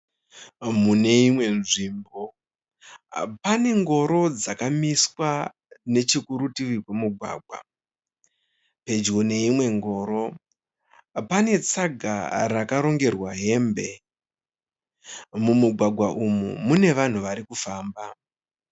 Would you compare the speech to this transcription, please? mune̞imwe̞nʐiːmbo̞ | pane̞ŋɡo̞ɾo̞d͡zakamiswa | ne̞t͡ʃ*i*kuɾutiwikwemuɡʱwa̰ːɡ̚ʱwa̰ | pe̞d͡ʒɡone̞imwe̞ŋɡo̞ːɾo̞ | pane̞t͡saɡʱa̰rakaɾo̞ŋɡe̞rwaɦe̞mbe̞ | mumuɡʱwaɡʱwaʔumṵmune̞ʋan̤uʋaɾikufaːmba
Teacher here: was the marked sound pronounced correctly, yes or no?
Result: yes